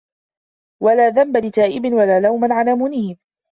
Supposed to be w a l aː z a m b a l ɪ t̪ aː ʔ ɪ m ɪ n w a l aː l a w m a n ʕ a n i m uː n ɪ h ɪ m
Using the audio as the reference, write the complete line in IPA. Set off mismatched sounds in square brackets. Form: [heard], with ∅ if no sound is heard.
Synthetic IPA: w a l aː [ð] a m b a l ɪ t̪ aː ʔ ɪ [b] ɪ n w a l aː l a w m a n ʕ a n [a] m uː n ɪ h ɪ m